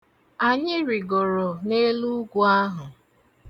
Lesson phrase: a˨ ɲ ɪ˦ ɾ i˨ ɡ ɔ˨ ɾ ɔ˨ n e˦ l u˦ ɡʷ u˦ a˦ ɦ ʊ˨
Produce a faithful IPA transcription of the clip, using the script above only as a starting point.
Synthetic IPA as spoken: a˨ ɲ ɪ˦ ɾ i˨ ɡ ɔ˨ ɾ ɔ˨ n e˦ l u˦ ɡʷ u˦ a˦ ɦ ʊ˨